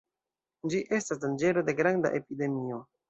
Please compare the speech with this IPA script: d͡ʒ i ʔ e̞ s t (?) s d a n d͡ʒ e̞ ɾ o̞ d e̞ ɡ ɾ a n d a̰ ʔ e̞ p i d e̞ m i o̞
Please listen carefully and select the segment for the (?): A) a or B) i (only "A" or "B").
A